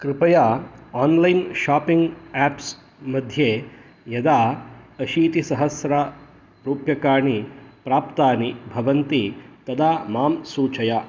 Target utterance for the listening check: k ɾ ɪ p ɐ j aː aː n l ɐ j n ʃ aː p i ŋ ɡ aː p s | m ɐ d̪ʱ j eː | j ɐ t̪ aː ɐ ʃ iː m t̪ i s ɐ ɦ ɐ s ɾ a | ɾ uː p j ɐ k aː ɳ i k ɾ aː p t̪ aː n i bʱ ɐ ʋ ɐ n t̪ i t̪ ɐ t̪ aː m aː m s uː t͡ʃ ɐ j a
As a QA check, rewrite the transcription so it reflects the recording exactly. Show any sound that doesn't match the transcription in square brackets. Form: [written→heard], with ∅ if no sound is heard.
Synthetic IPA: k ɾ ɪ p ɐ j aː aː n l ɐ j n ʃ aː p i ŋ ɡ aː p s | m ɐ d̪ʱ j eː | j ɐ [t̪→d̪] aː ɐ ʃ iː [m→∅] t̪ i s ɐ ɦ ɐ s ɾ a | ɾ uː p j ɐ k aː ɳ i [k→p] ɾ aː p t̪ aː n i bʱ ɐ ʋ ɐ n t̪ i t̪ ɐ [t̪→d̪] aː m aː m s uː t͡ʃ ɐ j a